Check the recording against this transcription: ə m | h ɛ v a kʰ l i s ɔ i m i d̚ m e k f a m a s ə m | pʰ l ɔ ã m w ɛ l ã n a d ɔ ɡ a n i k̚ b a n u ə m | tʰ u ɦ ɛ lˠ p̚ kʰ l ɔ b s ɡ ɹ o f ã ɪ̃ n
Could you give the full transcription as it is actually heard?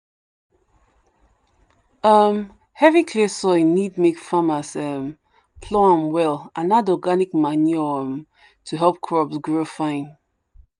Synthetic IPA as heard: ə m | h ɛ v i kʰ l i s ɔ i n i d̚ m e k f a m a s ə m | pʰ l ɔ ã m w ɛ l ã n a d ɔ ɡ a n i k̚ m a n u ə m | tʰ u ɦ ɛ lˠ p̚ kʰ ɹ ɔ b s ɡ ɹ o f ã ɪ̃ n